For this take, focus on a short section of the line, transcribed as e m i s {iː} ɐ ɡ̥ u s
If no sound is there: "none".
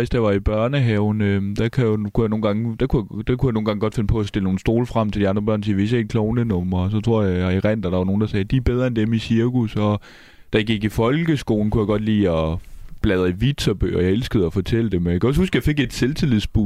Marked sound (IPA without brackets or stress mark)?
i